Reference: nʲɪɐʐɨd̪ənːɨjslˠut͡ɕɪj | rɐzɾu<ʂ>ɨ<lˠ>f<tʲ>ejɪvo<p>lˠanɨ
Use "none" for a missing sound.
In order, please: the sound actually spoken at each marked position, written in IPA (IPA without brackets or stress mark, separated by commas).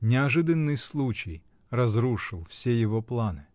ʂ, lˠ, sʲ, p